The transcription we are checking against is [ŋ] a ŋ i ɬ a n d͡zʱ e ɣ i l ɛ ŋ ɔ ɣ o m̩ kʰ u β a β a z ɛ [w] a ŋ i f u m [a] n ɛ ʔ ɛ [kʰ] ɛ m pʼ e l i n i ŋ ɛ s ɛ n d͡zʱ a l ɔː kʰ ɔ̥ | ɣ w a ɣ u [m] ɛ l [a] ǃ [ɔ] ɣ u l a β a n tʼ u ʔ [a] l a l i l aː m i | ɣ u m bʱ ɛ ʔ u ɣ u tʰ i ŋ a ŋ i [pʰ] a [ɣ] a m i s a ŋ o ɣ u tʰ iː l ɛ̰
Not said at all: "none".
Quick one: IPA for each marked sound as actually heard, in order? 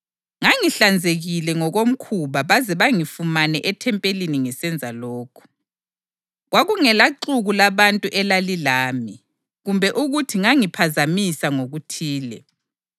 ŋ, β, a, tʰ, ŋ, a, u, ɛ, pʰ, z

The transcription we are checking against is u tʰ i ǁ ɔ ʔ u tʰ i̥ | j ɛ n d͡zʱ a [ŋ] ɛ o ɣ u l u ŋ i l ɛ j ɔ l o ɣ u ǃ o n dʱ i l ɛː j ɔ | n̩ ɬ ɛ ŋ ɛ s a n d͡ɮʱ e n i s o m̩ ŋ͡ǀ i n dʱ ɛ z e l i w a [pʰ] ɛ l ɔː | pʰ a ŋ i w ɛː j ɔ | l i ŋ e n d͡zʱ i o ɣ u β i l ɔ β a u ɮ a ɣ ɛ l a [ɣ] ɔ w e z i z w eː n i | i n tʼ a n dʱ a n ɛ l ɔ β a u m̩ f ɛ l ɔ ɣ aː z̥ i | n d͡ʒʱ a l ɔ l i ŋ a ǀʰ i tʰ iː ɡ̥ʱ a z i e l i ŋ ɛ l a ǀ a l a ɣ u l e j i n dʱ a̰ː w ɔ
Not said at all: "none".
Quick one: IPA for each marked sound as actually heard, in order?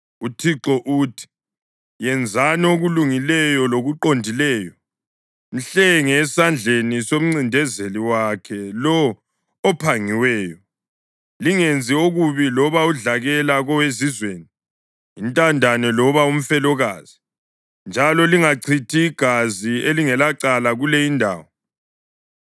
n, kʰ, ɣ

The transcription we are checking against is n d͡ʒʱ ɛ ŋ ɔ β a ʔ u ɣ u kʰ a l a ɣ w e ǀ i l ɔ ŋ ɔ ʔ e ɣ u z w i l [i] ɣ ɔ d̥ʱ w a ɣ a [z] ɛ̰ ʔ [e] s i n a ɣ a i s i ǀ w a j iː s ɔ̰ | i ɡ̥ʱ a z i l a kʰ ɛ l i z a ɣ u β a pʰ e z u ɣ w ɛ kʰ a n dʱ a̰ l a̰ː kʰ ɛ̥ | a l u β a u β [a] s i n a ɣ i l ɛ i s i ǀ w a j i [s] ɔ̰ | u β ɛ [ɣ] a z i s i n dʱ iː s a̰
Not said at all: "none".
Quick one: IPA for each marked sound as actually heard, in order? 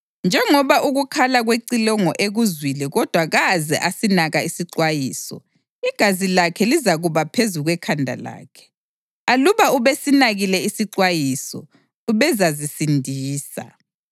ɛ, z, a, e, s, z

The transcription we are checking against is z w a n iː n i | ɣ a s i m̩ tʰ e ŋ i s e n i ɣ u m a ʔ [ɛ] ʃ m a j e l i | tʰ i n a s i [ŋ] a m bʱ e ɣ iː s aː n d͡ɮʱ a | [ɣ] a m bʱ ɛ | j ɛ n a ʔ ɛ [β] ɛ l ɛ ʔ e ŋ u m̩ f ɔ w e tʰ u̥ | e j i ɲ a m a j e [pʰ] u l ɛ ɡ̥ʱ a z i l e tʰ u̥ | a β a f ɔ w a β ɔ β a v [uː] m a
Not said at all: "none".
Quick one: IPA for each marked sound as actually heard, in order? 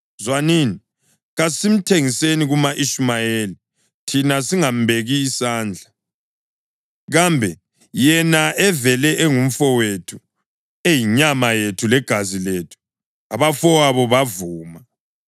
i, ŋ, ɣ, v, tʰ, uː

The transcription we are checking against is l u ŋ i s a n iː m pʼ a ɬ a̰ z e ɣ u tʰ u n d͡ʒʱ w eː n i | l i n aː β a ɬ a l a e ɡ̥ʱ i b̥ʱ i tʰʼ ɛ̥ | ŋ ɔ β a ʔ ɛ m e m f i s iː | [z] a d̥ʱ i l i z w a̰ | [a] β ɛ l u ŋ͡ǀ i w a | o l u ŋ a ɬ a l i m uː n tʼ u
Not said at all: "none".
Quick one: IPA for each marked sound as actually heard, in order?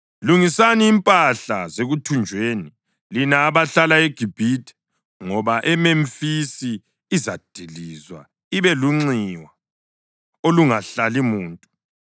z, i

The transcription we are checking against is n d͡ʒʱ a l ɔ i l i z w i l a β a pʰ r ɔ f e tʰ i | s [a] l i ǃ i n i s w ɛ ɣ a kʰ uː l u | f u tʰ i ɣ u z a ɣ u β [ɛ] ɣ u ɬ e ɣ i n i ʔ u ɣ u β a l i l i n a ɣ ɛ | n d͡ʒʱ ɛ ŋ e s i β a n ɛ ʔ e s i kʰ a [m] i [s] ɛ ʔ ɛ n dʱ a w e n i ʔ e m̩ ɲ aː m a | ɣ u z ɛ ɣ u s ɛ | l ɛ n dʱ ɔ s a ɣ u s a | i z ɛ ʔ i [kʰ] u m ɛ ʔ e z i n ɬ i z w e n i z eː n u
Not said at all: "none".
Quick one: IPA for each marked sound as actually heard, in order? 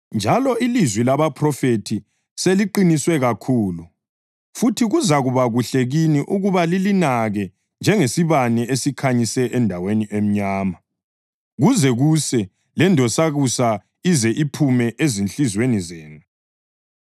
e, a, ɲ, s, pʰ

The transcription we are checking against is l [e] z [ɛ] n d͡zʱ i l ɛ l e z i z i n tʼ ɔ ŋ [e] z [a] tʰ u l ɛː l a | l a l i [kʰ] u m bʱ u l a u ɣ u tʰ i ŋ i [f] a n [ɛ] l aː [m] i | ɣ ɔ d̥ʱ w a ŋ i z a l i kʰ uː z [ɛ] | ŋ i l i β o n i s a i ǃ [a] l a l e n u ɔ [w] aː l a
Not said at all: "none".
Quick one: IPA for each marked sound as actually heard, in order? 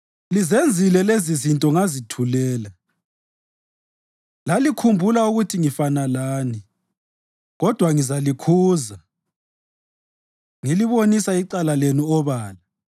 i, e, a, i, kʰ, f, a, n, a, a, β

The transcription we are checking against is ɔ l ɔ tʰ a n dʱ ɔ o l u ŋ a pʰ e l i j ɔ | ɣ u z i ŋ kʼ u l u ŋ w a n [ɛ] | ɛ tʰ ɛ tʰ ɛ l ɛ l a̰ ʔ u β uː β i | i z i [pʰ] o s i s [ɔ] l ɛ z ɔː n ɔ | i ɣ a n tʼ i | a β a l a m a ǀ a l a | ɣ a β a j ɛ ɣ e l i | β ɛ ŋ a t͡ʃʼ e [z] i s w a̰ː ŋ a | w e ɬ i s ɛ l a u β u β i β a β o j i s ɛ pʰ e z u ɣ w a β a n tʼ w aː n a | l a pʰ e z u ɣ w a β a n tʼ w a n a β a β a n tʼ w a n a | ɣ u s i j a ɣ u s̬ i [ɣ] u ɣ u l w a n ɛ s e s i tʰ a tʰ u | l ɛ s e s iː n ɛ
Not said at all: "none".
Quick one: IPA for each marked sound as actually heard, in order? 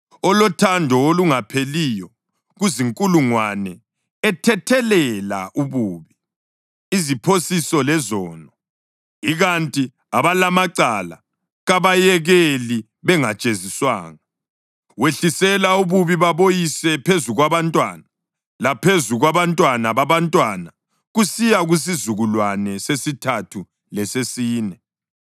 ɛ, pʰ, ɔ, z, z

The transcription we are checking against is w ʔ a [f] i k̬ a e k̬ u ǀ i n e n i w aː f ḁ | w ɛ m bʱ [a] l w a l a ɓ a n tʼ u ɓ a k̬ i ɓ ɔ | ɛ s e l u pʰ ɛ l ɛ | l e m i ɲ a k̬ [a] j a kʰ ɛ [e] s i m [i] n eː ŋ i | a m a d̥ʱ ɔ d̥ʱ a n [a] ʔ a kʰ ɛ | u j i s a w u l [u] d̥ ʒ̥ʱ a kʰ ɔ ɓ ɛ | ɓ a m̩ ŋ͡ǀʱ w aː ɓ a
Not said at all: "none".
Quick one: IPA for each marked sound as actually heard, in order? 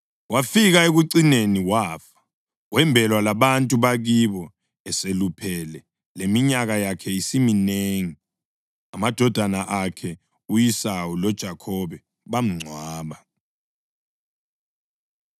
f, ɛ, a, i, i, a, ɔ

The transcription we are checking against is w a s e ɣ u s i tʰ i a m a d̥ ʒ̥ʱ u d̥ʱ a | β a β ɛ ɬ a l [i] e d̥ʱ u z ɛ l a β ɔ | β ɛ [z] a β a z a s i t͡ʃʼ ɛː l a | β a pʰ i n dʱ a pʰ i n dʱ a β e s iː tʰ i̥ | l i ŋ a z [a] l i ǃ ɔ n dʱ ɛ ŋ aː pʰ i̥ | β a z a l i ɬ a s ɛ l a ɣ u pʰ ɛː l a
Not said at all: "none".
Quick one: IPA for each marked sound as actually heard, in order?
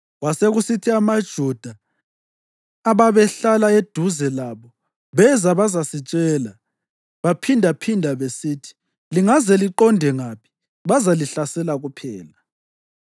a, z, ɛ

